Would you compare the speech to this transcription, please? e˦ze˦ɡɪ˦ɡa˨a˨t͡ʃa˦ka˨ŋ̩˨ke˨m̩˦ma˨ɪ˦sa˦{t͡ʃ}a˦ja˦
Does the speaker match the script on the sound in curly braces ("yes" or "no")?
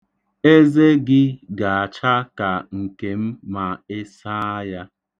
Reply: no